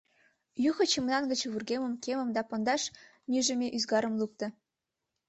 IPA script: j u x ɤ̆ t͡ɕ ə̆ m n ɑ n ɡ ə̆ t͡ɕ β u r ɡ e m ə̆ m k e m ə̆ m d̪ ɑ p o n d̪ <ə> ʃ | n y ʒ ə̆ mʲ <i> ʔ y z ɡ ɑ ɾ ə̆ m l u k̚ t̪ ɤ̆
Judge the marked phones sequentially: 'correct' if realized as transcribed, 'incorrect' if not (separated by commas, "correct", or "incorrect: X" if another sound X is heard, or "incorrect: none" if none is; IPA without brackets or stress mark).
incorrect: ɑ, incorrect: e